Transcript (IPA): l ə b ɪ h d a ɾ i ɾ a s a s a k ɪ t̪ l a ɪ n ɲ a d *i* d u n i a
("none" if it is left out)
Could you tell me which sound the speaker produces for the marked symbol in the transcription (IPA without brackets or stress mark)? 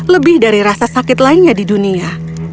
i